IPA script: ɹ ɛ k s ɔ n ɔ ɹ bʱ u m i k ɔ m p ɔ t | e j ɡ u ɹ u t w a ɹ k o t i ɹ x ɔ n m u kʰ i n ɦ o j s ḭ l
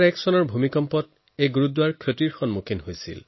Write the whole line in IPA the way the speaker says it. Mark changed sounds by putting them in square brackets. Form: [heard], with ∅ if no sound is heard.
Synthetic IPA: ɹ ɛ k s ɔ n ɔ ɹ bʱ u m i k ɔ m p ɔ t | e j ɡ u ɹ u [d] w a ɹ [kʰ] o t i ɹ x ɔ n m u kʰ i n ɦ o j s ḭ l